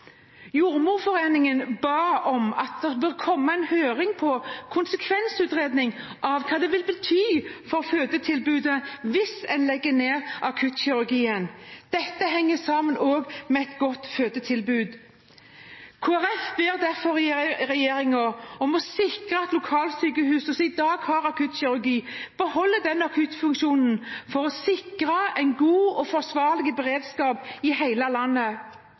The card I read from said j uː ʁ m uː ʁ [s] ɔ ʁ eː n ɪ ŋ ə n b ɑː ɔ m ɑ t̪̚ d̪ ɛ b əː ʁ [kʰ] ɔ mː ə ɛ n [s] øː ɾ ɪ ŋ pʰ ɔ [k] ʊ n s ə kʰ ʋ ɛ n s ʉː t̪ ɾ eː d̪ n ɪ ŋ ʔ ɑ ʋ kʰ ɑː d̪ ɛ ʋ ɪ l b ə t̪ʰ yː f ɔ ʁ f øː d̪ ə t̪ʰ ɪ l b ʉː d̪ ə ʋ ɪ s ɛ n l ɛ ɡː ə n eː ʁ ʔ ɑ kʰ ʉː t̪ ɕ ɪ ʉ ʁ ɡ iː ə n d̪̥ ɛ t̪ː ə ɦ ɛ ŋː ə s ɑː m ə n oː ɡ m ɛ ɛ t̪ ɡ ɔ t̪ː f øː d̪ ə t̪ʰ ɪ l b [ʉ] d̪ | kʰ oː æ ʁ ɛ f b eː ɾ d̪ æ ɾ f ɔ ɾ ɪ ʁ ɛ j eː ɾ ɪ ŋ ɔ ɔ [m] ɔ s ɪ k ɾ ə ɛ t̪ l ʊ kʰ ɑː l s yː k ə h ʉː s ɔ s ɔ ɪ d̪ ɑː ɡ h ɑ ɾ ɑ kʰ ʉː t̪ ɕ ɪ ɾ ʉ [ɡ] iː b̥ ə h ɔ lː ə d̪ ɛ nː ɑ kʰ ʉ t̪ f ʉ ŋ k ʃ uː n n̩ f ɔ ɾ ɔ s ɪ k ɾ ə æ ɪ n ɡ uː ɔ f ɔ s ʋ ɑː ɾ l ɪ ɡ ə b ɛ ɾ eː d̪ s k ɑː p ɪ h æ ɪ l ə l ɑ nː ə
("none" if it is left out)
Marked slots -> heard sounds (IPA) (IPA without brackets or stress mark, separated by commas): f, kʰ, h, kʰ, ʉː, m, ɡ